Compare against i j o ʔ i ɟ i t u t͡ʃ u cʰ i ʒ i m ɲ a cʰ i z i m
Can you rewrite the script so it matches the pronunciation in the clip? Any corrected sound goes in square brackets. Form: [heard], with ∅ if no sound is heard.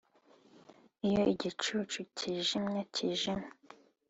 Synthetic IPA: i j o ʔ i ɟ i [t͡ʃ] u t͡ʃ u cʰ i ʒ i m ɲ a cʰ i [ʒ] i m

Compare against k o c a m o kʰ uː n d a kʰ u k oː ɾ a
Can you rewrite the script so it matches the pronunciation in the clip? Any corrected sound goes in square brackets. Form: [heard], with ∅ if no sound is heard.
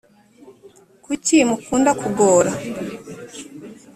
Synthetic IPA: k [u] c [i] m [u] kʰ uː n d a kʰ u [ɡ] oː ɾ a

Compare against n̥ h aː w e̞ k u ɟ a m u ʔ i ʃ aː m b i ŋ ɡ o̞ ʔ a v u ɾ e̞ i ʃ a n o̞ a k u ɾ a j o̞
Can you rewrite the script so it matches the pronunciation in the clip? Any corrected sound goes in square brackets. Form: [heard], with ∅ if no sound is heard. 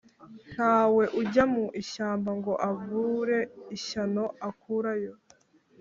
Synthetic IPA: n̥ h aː w e̞ [ʔ] u ɟ a m u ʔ i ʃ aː m b [a] ŋ ɡ o̞ ʔ a v u ɾ e̞ i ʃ a n o̞ a k u ɾ a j o̞

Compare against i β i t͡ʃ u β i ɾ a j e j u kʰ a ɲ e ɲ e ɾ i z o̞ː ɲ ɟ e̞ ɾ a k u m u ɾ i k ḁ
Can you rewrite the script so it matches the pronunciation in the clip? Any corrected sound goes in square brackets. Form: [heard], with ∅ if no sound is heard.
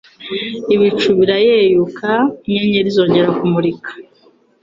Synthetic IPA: i β i t͡ʃ u β i ɾ a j e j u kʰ a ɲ e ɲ e ɾ i z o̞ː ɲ ɟ e̞ ɾ a k u m u ɾ i k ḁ

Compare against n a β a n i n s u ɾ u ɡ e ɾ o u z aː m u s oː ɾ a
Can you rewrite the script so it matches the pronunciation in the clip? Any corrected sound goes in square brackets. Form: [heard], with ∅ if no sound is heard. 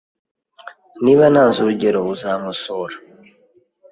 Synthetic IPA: n [i] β a n [a] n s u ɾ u [ɟ] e ɾ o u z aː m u s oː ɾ a

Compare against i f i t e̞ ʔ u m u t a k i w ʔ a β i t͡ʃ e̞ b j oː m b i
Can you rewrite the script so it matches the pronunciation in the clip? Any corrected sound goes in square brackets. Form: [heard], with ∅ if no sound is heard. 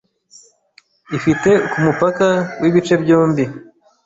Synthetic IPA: i f i t e̞ [k] u m u [p] a k [a] w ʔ [i] β i t͡ʃ e̞ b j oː m b i

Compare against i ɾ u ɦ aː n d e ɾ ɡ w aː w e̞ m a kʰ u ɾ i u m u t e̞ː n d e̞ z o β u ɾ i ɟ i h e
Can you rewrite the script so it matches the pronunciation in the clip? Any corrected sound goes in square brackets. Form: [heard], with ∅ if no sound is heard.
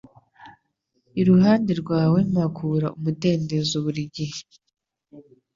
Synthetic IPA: i ɾ u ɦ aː n d e ɾ ɡ w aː w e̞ m a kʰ u ɾ [a] u m u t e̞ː n d e̞ z o β u ɾ i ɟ i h e

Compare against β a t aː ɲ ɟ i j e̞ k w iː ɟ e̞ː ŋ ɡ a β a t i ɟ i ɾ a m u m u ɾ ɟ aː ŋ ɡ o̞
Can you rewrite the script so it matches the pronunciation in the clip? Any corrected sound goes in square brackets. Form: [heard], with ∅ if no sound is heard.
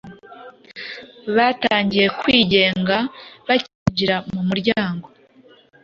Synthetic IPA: β a t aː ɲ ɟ i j e̞ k w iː ɟ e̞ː ŋ ɡ a β a [c] i ɟ i ɾ a m u m u ɾ ɟ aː ŋ ɡ o̞

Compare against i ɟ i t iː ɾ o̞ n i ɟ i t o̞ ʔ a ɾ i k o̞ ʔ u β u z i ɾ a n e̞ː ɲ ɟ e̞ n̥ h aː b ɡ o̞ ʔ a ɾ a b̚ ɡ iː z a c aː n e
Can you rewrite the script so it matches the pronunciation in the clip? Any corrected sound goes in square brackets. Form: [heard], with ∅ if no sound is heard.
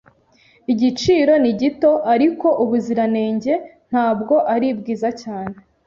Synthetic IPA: i ɟ i [t͡ʃ] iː ɾ o̞ n i ɟ i t o̞ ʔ a ɾ i k o̞ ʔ u β u z i ɾ a n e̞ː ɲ ɟ e̞ n̥ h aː b ɡ o̞ ʔ a ɾ [i] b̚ ɡ iː z a c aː n e

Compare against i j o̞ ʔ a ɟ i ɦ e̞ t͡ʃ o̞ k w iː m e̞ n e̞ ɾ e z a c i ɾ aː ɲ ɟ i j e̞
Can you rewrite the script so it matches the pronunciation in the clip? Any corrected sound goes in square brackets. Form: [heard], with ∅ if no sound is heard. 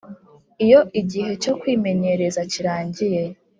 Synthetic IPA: i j o̞ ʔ [i] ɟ i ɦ e̞ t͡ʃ o̞ k w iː m e̞ [ɲ] e̞ ɾ e z a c i ɾ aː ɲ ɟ i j e̞

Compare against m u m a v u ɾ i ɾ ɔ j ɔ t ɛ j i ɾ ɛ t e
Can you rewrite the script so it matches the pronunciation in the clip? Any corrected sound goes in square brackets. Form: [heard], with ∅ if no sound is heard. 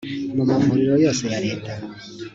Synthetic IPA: m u m a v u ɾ i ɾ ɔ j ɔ [s] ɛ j [a] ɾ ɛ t [a]

